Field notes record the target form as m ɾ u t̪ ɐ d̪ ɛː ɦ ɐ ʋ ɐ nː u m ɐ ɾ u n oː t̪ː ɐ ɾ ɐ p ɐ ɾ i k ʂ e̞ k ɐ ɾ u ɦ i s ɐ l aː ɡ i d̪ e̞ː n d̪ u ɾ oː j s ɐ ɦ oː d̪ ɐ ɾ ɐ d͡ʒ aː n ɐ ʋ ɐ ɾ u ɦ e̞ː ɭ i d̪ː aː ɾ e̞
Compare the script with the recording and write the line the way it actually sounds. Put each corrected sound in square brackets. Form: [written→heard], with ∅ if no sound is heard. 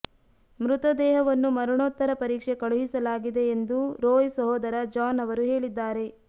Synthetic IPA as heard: m ɾ u t̪ ɐ d̪ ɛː ɦ ɐ ʋ ɐ nː u m ɐ ɾ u [n→ɳ] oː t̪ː ɐ ɾ ɐ p ɐ ɾ [i→iː] k ʂ e̞ k ɐ [ɾ→ɭ] u ɦ i s ɐ l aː ɡ i d̪ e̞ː n d̪ u ɾ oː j s ɐ ɦ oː d̪ ɐ ɾ ɐ d͡ʒ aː n ɐ ʋ ɐ ɾ u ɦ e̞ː ɭ i d̪ː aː ɾ e̞